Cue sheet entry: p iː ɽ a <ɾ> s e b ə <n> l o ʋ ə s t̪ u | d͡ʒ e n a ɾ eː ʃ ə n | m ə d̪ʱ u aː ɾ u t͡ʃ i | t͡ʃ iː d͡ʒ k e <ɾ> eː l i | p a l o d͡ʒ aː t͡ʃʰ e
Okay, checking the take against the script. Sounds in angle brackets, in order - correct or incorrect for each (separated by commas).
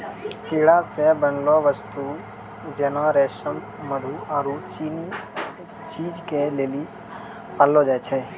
incorrect, correct, incorrect